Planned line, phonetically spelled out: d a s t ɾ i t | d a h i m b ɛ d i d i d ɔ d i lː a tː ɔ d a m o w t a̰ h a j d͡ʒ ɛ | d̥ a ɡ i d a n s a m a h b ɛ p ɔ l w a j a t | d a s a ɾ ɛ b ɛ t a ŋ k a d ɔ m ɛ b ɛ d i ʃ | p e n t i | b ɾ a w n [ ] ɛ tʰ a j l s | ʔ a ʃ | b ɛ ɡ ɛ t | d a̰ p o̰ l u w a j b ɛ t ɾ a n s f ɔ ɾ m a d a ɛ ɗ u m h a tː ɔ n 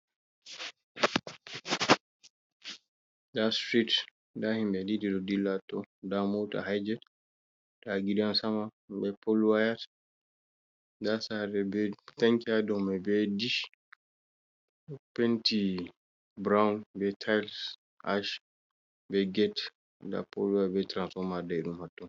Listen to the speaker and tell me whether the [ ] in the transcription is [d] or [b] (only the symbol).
b